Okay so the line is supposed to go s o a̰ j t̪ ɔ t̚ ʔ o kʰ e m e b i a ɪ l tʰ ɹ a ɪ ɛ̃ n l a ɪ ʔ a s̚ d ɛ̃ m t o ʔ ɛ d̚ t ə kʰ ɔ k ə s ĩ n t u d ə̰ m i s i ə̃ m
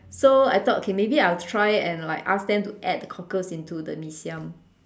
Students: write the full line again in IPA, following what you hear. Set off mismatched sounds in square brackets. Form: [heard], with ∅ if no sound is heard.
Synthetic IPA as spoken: s o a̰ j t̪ ɔ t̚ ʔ o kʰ e m e b i a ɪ l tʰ ɹ a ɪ ɛ̃ n l a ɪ [k] a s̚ d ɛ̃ m t [u] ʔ ɛ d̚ [d] ə kʰ ɔ k ə s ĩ n t u d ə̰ m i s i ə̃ m